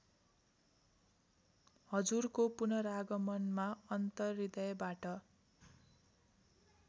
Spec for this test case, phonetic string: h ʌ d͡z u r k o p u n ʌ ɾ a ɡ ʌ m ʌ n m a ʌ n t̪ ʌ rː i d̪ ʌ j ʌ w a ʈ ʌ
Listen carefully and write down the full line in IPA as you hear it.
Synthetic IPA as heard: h ʌ d͡z u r k o p u n ʌ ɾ a ɡ ʌ m ʌ n m a ʌ n t̪ ʌ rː i d̪ ʌ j ʌ b a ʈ ʌ